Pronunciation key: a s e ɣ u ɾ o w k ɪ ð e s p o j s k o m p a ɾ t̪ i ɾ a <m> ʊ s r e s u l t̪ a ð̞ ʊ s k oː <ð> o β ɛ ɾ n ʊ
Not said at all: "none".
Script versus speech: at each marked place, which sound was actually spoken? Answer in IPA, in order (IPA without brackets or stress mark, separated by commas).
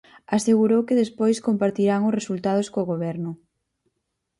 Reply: ŋ, ɣ